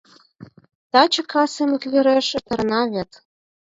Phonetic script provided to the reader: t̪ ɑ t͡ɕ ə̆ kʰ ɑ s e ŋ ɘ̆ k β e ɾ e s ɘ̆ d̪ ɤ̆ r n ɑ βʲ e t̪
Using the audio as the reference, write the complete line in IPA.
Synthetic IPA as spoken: t̪ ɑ t͡ɕ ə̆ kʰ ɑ s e m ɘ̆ k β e ɾ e ʃ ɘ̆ t̪ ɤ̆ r n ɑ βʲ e t̪